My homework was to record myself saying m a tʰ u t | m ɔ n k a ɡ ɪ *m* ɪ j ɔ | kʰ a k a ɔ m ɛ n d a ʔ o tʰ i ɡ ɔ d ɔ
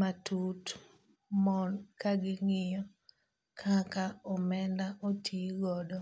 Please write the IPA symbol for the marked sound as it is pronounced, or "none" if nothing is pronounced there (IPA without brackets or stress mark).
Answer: ŋ